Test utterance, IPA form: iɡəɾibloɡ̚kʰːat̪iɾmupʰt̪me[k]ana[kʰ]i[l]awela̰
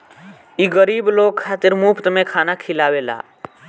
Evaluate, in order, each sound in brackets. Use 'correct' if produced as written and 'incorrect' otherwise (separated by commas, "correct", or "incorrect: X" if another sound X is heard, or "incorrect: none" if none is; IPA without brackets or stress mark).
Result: incorrect: kʰ, correct, correct